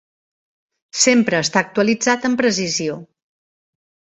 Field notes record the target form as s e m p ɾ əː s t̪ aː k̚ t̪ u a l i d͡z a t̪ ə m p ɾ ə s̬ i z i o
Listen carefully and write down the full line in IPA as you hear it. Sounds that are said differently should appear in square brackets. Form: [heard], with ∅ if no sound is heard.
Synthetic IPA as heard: s e m p ɾ əː s t̪ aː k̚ t̪ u [ə] l i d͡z a t̪ ə m p ɾ ə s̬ i z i o